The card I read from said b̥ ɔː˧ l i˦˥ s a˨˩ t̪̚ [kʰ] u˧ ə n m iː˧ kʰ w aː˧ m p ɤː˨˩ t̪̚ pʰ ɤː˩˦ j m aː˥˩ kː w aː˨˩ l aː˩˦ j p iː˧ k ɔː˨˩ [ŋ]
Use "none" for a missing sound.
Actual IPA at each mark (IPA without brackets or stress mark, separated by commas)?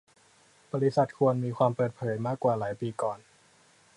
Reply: kʰ, n